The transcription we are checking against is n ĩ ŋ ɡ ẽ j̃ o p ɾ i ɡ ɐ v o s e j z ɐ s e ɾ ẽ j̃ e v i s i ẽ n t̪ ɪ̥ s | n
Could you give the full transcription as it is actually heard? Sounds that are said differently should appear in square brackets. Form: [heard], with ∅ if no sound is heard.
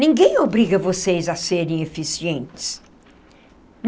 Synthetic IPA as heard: n ĩ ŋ ɡ ẽ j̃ o [b] ɾ i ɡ ɐ v o s e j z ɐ s e ɾ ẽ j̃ e [f] i s i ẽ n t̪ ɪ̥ s | n